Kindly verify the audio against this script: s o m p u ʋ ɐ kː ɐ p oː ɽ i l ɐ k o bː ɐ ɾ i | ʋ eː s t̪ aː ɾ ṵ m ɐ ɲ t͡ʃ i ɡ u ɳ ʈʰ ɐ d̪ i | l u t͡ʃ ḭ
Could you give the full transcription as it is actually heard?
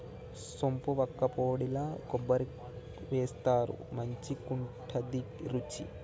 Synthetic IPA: s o m p u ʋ ɐ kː ɐ p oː ɽ i l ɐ k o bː ɐ ɾ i | ʋ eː s t̪ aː ɾ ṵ m ɐ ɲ t͡ʃ i k u ɳ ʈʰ ɐ d̪ i | ɾ u t͡ʃ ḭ